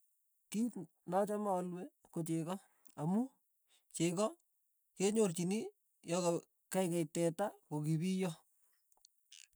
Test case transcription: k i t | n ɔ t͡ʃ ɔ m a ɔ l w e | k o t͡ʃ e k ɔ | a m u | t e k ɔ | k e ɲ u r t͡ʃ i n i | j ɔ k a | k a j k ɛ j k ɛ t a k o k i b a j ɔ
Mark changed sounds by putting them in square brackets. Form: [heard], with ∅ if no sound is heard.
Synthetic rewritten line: k i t | n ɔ t͡ʃ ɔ m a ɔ l w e | k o t͡ʃ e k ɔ | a m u | [t͡ʃ] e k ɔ | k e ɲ [o] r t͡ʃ i n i | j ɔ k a | k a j k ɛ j [t] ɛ t a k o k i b [i] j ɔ